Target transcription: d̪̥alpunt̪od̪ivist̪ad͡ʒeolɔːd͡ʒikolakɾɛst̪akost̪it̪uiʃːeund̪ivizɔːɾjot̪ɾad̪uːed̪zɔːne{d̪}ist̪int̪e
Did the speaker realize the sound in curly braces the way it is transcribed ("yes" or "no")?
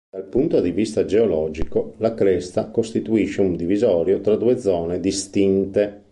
yes